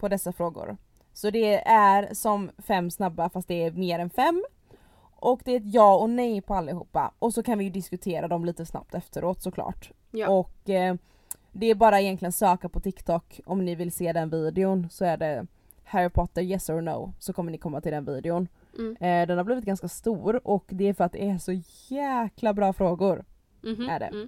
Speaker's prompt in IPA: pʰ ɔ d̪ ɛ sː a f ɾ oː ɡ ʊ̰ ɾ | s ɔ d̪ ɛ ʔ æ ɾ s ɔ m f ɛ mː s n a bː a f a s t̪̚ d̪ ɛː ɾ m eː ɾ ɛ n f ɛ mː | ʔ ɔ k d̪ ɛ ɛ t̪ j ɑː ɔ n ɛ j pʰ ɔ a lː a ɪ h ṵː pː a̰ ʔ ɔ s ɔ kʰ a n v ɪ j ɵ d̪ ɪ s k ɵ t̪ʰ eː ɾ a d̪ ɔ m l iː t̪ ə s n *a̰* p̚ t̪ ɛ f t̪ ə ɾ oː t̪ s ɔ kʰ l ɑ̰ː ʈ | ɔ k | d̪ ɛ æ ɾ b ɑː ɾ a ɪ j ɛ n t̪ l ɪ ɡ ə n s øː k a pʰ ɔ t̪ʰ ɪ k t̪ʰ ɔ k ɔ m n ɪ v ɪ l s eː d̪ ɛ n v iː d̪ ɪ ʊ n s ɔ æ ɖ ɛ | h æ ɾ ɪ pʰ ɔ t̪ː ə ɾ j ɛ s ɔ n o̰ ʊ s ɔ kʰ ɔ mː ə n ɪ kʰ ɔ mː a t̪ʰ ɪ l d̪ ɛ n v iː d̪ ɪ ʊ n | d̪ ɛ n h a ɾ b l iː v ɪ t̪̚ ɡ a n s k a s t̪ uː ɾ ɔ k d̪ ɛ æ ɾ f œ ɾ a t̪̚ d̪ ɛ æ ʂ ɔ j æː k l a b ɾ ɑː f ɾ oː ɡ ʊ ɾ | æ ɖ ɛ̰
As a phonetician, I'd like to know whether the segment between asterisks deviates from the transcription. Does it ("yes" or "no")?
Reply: no